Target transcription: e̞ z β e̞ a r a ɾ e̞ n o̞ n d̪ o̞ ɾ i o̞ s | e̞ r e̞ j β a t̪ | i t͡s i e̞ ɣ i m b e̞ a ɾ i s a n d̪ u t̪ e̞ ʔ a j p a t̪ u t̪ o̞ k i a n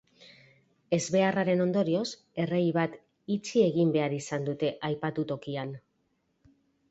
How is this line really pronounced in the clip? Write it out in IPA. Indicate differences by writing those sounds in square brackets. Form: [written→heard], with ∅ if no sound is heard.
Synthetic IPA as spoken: e̞ z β e̞ a r a ɾ e̞ n o̞ n d̪ o̞ ɾ i o̞ s | e̞ r e̞ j β a t̪ | i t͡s i e̞ ɣ i m b e̞ a ɾ i s a n d̪ u t̪ e̞ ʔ a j p a t̪ u t̪ o̞ k i a n